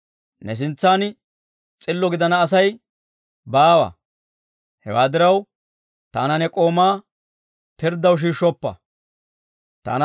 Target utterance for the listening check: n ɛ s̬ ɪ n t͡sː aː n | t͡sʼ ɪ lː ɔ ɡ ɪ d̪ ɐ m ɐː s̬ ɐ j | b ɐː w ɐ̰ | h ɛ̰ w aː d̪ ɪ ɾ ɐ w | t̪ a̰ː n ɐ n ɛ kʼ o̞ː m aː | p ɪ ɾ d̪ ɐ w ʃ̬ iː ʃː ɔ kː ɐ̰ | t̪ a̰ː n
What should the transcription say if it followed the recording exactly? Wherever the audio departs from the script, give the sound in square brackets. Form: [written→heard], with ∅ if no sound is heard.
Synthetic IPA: n ɛ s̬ ɪ n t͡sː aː n | t͡sʼ ɪ lː ɔ ɡ ɪ d̪ ɐ [m→n] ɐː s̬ ɐ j | b [ɐː→aː] w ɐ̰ | h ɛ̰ w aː d̪ ɪ ɾ ɐ w | t̪ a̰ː n ɐ n ɛ kʼ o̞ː m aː | p ɪ ɾ d̪ ɐ w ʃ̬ iː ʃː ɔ [kː→pː] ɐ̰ | t̪ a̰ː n